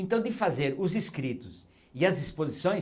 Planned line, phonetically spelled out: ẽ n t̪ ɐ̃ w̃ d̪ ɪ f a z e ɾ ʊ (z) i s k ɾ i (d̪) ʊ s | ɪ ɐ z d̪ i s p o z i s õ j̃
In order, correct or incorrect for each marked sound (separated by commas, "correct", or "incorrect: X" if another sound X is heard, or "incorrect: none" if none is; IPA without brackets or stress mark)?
correct, incorrect: t̪